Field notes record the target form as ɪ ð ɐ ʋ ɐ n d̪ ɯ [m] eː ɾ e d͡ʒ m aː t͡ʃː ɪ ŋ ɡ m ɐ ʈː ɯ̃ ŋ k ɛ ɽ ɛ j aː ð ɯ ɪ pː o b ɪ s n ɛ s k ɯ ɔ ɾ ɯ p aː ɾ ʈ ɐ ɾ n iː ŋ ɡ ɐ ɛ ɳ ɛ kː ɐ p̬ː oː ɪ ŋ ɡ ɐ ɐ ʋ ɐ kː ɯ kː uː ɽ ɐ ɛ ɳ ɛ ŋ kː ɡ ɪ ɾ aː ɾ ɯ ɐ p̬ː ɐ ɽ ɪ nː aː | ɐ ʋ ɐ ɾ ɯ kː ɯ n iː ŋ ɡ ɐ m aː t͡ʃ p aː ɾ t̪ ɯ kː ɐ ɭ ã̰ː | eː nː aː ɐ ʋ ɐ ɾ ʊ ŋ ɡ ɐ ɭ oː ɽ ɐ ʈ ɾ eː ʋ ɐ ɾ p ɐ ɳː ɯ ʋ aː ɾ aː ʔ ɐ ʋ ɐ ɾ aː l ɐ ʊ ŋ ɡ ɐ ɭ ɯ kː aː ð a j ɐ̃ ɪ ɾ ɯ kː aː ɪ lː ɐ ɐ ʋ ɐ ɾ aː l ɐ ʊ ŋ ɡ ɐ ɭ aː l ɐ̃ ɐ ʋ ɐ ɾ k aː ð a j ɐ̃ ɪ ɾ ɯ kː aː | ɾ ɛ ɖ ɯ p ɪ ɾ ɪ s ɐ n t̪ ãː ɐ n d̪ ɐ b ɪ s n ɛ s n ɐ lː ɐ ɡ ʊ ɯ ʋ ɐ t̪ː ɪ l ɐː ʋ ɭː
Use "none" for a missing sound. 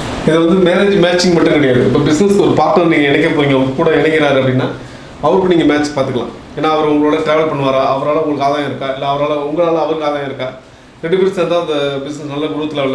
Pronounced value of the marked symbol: m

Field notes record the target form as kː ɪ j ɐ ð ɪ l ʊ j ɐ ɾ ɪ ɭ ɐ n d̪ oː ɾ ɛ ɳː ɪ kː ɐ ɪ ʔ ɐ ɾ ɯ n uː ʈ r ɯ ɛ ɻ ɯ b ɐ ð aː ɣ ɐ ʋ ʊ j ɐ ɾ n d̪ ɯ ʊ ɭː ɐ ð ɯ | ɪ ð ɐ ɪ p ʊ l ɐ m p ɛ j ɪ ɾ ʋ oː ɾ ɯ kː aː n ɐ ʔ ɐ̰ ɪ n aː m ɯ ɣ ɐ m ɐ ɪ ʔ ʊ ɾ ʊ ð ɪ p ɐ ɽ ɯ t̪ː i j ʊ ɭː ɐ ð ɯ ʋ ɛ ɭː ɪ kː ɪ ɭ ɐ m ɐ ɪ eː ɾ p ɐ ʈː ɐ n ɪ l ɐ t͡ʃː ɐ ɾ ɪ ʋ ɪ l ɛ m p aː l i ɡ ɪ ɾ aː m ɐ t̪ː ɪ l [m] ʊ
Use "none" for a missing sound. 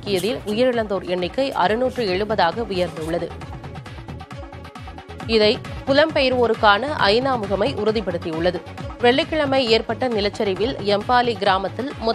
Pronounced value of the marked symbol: m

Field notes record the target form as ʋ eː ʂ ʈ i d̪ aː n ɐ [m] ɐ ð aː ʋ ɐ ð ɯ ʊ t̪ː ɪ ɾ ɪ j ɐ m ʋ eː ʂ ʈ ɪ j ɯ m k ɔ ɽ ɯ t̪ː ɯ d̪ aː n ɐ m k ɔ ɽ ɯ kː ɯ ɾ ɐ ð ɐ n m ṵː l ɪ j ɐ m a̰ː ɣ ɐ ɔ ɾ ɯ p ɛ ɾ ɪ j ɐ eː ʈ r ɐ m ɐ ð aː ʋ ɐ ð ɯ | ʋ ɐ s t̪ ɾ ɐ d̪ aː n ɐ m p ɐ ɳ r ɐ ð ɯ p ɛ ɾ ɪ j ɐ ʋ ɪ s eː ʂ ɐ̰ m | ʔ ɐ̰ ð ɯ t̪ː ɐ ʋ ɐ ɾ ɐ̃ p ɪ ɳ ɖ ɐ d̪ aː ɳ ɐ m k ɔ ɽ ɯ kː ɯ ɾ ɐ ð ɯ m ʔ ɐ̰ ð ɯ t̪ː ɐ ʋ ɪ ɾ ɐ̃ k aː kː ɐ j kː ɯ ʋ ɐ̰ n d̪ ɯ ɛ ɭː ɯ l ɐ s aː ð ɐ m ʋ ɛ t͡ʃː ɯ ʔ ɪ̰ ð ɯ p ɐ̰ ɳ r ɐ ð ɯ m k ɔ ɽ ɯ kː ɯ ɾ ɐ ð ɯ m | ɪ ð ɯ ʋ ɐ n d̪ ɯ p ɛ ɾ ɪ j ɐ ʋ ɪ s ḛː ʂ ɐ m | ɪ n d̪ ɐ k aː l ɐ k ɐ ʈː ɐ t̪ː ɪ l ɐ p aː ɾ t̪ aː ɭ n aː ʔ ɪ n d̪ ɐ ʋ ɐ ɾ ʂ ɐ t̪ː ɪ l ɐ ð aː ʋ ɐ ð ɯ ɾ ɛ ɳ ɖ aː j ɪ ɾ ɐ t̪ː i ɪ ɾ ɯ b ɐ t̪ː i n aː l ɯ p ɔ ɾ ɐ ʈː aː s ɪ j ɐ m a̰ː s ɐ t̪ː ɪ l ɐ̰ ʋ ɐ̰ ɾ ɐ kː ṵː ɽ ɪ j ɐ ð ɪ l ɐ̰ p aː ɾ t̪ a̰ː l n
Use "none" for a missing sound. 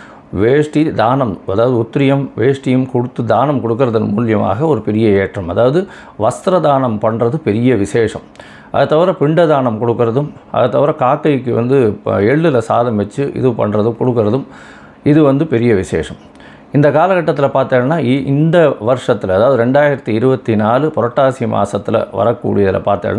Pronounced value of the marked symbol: m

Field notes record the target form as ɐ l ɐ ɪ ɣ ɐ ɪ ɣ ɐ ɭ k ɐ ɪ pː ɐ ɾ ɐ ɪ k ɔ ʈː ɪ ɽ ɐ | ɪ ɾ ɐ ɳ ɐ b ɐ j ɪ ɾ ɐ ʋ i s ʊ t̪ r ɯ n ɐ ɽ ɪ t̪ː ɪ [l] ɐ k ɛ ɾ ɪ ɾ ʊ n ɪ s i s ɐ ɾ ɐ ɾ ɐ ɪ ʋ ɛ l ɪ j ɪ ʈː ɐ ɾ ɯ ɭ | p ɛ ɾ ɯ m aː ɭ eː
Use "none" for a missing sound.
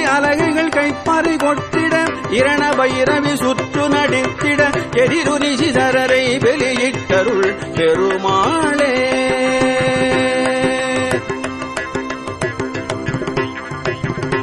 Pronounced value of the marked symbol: ɽ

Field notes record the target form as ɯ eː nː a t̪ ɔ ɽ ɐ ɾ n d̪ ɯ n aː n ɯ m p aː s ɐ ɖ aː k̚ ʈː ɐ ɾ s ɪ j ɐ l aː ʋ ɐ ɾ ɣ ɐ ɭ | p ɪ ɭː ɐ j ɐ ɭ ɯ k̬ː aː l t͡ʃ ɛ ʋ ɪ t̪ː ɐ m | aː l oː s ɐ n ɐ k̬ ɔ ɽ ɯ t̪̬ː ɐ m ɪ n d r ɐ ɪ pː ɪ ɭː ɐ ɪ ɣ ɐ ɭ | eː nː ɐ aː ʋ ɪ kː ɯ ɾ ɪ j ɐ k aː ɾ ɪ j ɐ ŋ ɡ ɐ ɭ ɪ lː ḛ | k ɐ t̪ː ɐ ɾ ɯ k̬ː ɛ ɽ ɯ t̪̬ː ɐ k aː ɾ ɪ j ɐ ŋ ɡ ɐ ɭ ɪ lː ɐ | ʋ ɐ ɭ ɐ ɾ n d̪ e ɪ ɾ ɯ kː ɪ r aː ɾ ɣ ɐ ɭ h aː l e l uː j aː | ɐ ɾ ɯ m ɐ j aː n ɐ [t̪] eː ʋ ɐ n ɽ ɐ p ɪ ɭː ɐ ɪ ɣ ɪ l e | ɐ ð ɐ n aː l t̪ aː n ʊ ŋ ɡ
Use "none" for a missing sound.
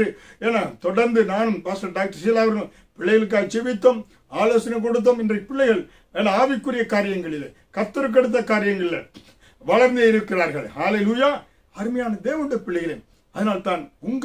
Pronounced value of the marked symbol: d̪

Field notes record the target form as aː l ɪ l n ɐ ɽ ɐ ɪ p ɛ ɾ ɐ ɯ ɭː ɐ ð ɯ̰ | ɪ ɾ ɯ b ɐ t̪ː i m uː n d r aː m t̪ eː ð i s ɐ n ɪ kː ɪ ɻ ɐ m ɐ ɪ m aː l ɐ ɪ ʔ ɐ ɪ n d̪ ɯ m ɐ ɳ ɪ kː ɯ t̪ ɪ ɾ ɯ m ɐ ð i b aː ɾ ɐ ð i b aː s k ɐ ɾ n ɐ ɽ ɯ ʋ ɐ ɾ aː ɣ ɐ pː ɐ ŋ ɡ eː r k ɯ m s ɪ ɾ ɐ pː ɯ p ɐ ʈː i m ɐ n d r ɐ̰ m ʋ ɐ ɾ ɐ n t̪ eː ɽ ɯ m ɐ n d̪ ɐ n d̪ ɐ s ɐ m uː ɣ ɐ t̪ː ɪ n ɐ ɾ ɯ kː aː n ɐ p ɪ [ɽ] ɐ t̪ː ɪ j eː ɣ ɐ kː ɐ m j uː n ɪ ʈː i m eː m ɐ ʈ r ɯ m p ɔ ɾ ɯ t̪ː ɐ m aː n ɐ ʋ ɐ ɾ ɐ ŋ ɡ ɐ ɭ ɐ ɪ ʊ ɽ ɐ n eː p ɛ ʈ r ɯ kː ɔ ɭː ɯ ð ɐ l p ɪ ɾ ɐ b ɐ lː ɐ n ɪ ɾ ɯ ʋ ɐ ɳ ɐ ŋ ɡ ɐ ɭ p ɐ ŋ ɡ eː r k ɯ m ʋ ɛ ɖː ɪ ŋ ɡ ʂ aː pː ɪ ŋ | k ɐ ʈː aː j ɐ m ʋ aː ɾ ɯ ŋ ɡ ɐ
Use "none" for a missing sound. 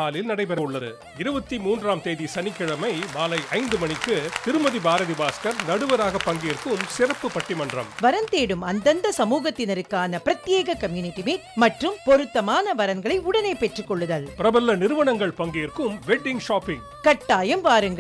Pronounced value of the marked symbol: ɾ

